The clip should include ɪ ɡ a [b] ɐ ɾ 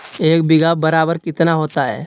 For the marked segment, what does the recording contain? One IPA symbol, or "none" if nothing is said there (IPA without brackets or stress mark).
b